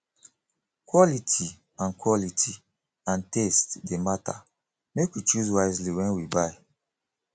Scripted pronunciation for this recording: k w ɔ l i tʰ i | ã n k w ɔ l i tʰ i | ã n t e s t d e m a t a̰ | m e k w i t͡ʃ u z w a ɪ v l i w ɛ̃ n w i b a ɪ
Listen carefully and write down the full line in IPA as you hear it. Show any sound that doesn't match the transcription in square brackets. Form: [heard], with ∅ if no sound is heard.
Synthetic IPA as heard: k w ɔ l i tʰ i | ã n k w ɔ l i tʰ i | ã n t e s t d e m a t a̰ | m e k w i t͡ʃ u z w a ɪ [z] l i w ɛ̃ n w i b a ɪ